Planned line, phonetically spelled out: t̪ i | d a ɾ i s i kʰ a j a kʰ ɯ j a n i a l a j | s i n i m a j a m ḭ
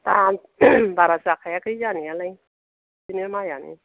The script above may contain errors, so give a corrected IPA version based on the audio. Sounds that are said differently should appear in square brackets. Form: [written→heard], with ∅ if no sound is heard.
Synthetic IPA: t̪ [i→a] | [d→b] a ɾ [i→a] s [i→a] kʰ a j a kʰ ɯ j a n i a l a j | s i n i m a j a [m→n] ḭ